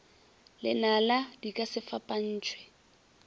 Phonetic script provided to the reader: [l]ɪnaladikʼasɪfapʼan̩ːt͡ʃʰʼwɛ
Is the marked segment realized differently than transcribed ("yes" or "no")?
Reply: no